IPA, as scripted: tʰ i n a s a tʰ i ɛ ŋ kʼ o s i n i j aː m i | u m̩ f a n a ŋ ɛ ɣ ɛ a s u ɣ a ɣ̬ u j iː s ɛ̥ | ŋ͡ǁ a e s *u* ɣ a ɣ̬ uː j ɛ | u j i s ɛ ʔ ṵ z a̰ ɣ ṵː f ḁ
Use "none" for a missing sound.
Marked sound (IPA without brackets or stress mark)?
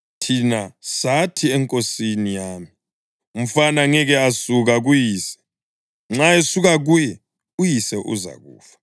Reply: u